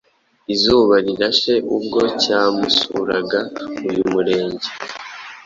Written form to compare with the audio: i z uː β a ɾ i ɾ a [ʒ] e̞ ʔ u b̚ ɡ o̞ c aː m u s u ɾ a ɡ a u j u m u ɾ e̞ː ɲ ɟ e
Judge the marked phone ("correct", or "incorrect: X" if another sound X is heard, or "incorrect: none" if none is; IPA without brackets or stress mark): incorrect: ʃ